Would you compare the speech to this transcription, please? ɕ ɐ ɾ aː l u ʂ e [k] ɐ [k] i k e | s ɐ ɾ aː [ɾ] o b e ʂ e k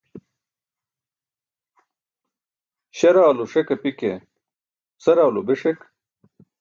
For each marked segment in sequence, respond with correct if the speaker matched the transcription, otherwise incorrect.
correct, incorrect, incorrect

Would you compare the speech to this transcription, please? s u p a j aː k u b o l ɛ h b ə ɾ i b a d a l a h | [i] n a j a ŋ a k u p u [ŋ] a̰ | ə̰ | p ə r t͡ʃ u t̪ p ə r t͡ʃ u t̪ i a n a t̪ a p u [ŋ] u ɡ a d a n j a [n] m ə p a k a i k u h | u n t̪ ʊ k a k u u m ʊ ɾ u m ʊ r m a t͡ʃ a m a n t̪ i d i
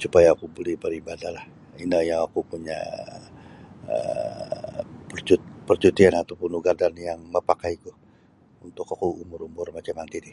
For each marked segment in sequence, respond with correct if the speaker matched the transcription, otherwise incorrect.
correct, incorrect, incorrect, incorrect

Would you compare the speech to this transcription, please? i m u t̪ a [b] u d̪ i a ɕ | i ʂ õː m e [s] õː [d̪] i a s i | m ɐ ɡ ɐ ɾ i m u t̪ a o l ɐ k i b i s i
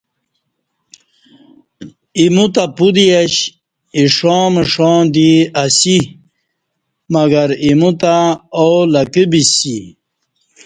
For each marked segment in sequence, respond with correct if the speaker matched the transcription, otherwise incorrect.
incorrect, incorrect, correct

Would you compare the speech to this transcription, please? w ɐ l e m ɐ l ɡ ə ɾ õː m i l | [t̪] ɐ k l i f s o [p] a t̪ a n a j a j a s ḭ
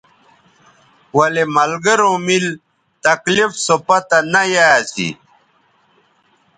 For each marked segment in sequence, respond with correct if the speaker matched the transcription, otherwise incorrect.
correct, correct

